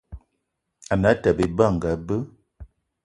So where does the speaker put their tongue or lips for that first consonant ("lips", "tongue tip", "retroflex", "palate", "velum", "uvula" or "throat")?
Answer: tongue tip